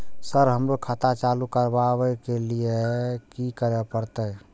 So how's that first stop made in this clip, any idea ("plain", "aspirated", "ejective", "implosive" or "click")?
aspirated